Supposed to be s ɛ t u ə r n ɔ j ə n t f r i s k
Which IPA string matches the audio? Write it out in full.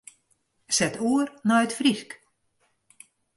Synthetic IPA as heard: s ɛ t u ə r n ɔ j ə t f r i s k